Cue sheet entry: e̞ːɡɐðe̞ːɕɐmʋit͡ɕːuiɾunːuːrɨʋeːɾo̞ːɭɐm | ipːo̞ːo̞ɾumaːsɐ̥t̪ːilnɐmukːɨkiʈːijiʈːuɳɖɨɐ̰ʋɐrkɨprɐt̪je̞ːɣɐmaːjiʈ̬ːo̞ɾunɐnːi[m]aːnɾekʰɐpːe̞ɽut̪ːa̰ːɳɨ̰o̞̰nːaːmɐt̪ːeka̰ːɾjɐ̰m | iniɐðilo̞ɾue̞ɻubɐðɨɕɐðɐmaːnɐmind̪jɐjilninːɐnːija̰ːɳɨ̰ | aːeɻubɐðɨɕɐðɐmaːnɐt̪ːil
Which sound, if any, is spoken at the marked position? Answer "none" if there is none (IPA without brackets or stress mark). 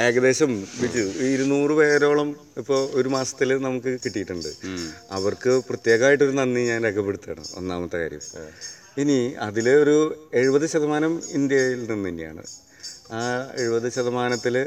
ɲ